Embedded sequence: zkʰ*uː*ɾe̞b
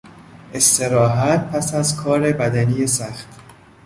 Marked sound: incorrect: ɒː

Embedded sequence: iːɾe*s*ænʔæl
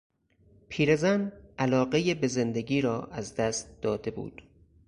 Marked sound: incorrect: z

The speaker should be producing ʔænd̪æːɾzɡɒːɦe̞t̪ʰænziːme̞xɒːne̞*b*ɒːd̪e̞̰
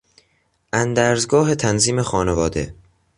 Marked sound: incorrect: v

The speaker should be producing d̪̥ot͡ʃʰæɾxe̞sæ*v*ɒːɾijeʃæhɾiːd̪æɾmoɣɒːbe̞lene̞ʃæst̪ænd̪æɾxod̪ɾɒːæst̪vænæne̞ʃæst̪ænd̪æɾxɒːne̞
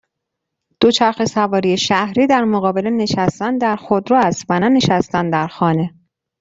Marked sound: correct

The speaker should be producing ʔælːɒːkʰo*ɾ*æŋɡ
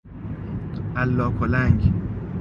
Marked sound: incorrect: l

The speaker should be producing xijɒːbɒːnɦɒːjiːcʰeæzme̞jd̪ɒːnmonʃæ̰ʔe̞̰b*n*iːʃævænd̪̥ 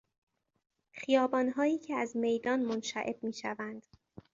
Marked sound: incorrect: m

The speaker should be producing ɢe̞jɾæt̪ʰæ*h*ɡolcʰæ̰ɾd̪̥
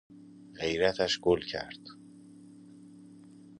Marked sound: incorrect: ʃ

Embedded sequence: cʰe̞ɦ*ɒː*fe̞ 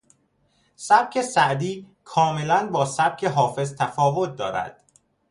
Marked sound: correct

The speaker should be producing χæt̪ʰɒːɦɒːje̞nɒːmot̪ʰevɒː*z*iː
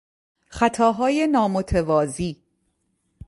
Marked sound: correct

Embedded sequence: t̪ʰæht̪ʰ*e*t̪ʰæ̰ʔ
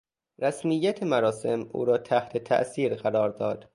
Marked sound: correct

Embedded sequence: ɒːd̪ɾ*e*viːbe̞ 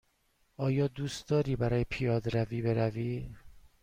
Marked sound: incorrect: æ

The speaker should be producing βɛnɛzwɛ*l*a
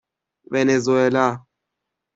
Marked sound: correct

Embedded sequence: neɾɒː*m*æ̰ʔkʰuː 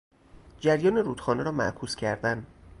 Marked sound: correct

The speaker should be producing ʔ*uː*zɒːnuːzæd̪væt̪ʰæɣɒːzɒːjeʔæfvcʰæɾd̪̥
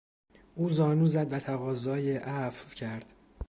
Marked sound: correct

